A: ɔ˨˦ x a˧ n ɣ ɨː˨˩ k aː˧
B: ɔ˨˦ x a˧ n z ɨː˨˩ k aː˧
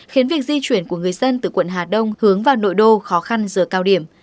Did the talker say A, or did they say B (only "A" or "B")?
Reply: B